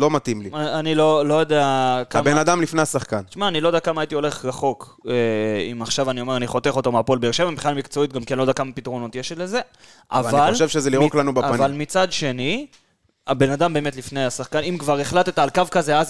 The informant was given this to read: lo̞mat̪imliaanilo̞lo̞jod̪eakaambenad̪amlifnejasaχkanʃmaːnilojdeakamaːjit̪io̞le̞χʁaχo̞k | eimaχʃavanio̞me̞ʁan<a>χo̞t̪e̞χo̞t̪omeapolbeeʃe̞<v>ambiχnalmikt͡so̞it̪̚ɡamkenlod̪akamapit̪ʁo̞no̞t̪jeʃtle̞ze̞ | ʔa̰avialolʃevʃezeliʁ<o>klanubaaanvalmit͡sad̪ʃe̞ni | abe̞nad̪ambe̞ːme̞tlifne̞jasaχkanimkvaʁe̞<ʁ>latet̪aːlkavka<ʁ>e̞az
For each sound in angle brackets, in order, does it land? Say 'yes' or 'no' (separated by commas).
no, yes, yes, no, no